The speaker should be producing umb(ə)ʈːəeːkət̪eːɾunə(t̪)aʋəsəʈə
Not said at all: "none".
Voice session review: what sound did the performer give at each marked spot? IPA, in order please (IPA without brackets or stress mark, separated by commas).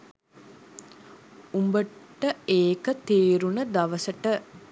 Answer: ə, d̪